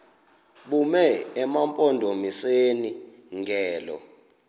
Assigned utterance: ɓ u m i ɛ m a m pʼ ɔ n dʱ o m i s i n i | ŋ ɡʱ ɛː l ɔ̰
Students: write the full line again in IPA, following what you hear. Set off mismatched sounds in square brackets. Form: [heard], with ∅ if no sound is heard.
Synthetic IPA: ɓ u m [ɛ] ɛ m a m pʼ ɔ n dʱ o m i s [e] n i | ŋ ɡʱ ɛː l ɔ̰

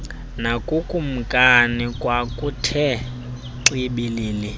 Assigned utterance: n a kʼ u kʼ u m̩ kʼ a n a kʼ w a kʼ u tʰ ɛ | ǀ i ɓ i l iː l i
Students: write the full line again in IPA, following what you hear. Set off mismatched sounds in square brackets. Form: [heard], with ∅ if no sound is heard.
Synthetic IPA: n a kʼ u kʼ u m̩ kʼ a n [i] kʼ w a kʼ u tʰ ɛ | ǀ i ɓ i l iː l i

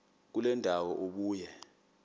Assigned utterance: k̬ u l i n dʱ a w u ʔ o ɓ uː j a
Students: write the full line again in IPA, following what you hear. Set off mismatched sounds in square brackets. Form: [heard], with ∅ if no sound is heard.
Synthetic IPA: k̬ u l [ɛ] n dʱ a w [ɔ] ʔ o ɓ uː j [ɛ]

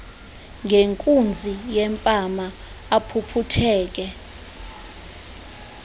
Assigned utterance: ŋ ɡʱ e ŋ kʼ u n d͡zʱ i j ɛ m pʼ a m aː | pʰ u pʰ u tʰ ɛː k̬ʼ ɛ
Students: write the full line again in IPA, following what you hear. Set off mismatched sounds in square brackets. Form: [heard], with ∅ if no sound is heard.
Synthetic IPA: ŋ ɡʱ e ŋ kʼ u n d͡zʱ i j ɛ m pʼ a m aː | pʰ u pʰ u tʰ ɛː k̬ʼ ɛ

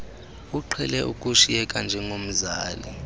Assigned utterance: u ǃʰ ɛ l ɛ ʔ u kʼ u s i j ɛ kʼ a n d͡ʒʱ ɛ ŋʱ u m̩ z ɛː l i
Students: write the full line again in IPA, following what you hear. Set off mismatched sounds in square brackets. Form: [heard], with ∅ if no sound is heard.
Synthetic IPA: u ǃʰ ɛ l ɛ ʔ u kʼ u [ʃ] i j ɛ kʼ a n d͡ʒʱ ɛ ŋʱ [o] m̩ z [aː] l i

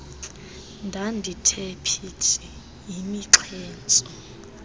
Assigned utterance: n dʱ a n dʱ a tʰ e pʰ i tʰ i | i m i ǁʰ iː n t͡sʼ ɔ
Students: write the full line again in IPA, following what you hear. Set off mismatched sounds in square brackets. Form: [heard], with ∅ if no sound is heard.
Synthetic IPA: n dʱ a n dʱ [i] tʰ e pʰ i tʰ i | i m i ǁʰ [ɛː] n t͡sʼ ɔ

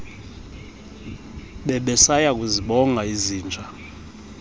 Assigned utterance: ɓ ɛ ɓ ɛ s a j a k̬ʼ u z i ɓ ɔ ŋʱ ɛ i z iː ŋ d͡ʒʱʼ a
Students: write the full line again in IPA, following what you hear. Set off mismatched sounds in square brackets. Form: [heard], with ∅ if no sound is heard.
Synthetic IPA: ɓ ɛ ɓ ɛ s a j a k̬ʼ u z i ɓ ɔ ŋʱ [a] i z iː [n] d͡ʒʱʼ a

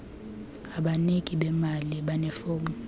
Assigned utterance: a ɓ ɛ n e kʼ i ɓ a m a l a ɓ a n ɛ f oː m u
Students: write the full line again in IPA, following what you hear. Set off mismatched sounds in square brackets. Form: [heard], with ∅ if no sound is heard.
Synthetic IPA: a ɓ [a] n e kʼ i ɓ [ɛ] m a l [i] ɓ a n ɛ f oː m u

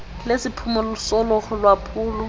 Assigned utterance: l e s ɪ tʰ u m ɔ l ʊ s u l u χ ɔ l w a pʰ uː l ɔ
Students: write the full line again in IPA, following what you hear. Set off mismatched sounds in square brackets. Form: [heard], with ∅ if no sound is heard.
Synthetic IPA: l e s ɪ [pʰ] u m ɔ l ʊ s [ɔ] l [ɔ] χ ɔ l w a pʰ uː l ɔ

